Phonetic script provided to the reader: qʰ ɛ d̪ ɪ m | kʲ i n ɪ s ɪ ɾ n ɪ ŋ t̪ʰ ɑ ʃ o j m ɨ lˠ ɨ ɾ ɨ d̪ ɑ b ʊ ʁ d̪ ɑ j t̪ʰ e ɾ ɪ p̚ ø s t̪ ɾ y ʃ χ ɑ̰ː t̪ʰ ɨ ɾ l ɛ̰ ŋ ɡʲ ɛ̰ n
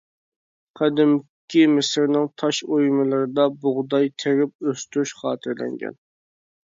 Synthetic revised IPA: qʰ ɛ d̪ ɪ m | kʲ i m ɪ s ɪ ɾ n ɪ ŋ t̪ʰ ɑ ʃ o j m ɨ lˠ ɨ ɾ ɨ d̪ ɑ b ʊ ʁ d̪ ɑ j t̪ʰ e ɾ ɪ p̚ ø s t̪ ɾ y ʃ χ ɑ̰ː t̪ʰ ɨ ɾ l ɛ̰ ŋ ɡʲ ɛ̰ n